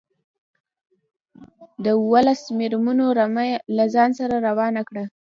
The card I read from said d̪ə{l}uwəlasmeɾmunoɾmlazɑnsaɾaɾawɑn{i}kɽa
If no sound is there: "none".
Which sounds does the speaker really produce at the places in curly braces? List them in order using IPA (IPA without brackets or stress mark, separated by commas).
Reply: none, a